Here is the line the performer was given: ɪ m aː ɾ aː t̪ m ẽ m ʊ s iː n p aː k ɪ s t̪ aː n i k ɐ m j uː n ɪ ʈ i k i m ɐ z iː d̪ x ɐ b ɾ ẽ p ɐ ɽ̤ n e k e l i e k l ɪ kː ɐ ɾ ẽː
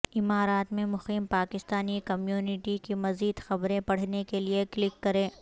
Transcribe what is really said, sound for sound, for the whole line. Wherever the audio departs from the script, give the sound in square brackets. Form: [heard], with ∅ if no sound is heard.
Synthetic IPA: ɪ m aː ɾ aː t̪ m ẽ m ʊ [x] iː [m] p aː k ɪ s t̪ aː n i k ɐ m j uː n ɪ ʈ i k i m ɐ z iː d̪ x ɐ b ɾ ẽ p ɐ ɽ̤ n e k e l i e k l ɪ kː ɐ ɾ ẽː